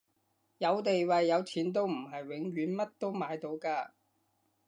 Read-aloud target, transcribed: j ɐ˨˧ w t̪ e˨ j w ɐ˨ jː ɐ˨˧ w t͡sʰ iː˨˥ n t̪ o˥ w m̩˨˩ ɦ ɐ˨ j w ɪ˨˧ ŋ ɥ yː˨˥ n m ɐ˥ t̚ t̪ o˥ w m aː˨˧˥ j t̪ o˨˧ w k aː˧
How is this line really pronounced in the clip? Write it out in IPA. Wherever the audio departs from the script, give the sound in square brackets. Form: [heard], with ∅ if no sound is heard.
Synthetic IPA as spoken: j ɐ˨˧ w t̪ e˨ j w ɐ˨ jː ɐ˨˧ w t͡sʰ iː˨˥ n t̪ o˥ w m̩˨˩ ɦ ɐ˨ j w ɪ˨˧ ŋ ɥ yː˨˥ n m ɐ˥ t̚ t̪ o˥ w m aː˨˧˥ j t̪ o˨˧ w k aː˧